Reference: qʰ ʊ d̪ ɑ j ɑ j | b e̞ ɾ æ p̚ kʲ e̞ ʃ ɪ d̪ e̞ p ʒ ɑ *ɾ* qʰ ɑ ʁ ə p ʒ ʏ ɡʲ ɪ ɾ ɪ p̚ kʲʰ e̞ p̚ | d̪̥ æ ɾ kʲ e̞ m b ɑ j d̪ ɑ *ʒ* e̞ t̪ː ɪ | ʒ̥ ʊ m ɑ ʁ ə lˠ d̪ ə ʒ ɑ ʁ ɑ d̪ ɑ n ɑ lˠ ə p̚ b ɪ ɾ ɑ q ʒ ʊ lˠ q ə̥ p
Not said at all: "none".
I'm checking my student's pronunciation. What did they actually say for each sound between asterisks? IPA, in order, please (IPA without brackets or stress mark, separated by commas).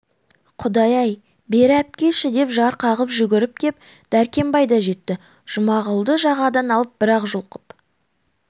ɾ, ʒ